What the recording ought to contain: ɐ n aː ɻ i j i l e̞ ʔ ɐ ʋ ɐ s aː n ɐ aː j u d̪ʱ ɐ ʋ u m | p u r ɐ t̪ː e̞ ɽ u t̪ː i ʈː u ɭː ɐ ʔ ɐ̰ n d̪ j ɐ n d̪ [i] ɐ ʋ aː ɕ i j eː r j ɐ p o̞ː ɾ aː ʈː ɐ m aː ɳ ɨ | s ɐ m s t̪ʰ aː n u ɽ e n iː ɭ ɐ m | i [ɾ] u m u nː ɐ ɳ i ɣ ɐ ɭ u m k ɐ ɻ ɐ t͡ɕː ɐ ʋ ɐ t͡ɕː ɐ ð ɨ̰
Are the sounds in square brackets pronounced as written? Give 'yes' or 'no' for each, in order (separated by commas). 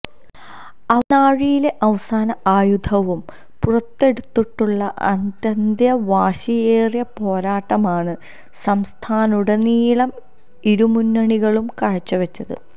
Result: no, yes